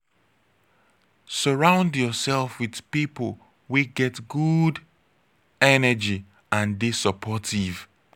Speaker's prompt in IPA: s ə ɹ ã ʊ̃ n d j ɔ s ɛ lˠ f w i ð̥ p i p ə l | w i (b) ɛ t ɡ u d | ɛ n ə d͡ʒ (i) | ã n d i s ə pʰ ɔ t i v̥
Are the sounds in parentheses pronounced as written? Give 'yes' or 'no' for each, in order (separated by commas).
no, yes